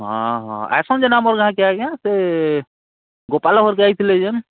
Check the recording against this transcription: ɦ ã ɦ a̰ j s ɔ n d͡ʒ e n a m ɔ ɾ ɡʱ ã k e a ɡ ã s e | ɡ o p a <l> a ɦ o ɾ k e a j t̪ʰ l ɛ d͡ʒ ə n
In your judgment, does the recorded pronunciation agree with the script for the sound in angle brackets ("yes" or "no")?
yes